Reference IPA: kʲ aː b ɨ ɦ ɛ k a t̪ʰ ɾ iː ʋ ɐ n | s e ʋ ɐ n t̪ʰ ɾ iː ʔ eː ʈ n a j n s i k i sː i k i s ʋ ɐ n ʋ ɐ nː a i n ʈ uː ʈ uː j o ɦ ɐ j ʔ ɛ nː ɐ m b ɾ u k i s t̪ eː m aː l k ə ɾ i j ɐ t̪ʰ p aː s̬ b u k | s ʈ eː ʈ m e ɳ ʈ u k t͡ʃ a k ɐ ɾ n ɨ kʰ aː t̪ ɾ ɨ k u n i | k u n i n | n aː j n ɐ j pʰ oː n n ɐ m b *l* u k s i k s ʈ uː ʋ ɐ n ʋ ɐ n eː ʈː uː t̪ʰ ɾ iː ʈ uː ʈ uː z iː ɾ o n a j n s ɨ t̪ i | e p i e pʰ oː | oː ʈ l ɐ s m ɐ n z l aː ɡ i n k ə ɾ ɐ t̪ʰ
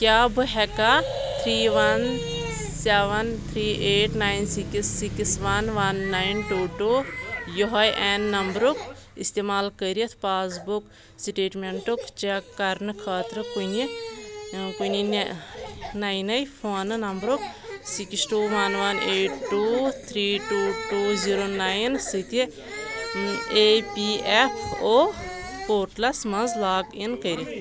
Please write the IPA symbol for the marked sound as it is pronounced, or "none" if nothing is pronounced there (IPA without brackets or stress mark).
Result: ɾ